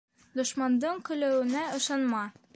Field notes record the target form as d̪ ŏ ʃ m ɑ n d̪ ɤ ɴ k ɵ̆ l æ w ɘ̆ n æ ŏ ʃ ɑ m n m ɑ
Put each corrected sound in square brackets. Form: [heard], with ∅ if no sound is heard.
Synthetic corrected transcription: d̪ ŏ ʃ m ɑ n d̪ ɤ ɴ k ɵ̆ l æ w ɘ̆ n æ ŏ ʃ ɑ [∅] n m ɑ